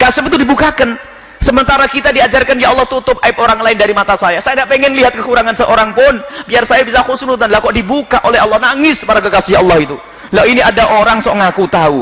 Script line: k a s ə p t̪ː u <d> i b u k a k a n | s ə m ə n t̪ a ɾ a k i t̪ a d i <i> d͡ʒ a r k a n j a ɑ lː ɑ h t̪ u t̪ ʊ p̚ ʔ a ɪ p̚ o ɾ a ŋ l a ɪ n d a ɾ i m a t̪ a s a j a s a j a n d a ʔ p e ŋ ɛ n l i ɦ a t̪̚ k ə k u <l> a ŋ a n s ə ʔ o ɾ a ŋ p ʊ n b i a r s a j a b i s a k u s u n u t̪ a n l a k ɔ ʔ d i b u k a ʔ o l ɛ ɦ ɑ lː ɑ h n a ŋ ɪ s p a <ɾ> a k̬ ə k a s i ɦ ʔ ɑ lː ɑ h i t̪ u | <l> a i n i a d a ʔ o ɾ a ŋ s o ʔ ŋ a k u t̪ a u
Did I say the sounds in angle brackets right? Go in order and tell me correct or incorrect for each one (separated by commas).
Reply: correct, incorrect, incorrect, correct, correct